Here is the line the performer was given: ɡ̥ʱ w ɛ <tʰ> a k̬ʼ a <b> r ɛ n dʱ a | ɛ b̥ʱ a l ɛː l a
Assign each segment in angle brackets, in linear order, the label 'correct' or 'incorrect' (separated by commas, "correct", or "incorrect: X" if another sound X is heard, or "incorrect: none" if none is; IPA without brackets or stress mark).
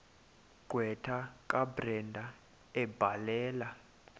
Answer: correct, correct